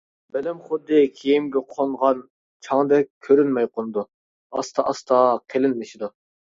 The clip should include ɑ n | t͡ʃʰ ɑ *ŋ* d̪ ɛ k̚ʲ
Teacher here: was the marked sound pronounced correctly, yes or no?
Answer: yes